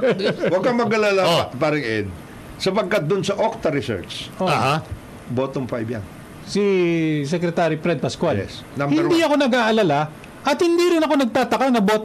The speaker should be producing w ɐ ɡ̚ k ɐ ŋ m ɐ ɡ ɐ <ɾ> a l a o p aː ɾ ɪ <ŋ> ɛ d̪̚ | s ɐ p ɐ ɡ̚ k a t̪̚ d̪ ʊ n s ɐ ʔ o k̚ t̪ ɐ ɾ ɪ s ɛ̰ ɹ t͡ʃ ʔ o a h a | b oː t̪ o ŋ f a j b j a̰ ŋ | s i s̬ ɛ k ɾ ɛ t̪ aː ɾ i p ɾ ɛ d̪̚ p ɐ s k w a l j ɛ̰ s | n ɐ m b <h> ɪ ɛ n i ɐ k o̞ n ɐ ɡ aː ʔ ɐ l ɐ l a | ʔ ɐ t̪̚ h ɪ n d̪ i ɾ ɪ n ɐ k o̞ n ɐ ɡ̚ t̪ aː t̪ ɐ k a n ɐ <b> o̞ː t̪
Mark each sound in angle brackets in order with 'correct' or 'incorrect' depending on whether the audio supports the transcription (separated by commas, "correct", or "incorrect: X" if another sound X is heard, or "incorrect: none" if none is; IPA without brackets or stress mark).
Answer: incorrect: l, correct, correct, correct